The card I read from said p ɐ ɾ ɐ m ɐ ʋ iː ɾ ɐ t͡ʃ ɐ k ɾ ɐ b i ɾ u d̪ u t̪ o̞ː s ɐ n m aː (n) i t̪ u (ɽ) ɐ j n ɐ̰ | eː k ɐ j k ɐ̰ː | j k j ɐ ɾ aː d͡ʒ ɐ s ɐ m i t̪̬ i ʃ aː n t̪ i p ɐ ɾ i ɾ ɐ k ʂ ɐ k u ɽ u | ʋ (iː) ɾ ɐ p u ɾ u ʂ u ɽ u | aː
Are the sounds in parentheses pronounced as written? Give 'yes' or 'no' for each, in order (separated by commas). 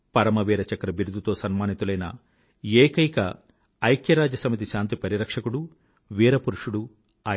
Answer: yes, no, yes